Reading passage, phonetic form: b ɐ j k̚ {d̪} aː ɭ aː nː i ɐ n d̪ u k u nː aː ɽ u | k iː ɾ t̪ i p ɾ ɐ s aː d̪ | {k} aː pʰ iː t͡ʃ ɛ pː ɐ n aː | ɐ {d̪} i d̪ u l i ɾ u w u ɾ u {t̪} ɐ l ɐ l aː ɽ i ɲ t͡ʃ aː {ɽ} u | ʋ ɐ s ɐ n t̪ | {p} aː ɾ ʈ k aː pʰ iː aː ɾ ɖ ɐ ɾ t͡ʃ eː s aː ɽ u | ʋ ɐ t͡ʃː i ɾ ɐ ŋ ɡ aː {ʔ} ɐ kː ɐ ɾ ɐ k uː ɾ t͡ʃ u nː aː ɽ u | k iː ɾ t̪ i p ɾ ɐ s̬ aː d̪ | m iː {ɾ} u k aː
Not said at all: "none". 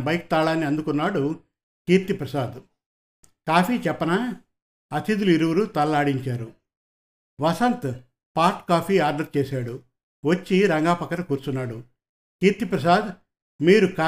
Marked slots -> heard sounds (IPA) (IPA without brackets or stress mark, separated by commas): t̪, k, t̪, t̪, ɾ, p, p, ɾ